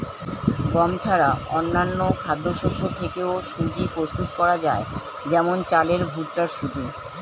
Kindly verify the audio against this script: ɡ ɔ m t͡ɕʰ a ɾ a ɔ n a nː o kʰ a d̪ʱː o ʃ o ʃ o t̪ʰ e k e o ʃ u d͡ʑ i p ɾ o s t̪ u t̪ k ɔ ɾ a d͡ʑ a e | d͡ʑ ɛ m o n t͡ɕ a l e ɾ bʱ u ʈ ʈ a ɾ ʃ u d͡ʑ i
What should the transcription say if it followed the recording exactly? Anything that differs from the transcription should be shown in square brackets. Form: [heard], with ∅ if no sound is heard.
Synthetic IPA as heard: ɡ ɔ m t͡ɕʰ a ɾ a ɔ [nː] a nː o kʰ a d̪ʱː o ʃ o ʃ o t̪ʰ e k e o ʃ u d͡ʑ i p ɾ o s t̪ u t̪ k ɔ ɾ a d͡ʑ a e | d͡ʑ ɛ m o n t͡ɕ a l e ɾ bʱ u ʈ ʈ a ɾ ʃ u d͡ʑ i

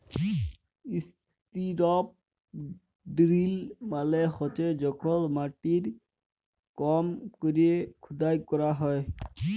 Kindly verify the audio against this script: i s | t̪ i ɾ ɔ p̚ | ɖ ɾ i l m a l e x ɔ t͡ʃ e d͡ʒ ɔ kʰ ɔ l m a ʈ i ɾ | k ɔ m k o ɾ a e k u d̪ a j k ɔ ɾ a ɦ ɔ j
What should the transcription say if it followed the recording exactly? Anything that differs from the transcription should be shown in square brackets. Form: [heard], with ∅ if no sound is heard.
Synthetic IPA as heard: i s | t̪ i ɾ ɔ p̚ | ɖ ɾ i l m a l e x ɔ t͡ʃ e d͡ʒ ɔ kʰ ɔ l m a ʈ i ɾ | k ɔ m k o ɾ [i] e [kʰ] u d̪ a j k ɔ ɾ a ɦ ɔ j

